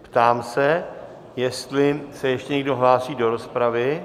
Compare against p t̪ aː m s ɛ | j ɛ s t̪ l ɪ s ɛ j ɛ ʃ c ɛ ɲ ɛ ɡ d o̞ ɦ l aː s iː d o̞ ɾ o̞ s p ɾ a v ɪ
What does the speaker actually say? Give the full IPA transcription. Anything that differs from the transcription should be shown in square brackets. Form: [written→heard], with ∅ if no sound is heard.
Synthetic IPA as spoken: p t̪ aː m s ɛ | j ɛ s t̪ l ɪ s ɛ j ɛ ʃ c ɛ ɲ ɛ ɡ d o̞ ɦ l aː s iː d o̞ ɾ o̞ s p ɾ a v ɪ